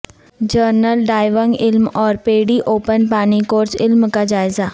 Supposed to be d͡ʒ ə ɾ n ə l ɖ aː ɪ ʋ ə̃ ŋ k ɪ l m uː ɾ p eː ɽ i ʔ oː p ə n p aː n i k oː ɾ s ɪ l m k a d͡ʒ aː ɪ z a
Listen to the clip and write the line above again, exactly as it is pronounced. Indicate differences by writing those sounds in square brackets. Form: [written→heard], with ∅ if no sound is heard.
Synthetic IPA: d͡ʒ ə ɾ n ə l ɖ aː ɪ ʋ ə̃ ŋ [k→ɡ] ɪ l m [uː→ɔː] ɾ p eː ɽ i ʔ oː p ə n p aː n i k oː ɾ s ɪ l m k a d͡ʒ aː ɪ z a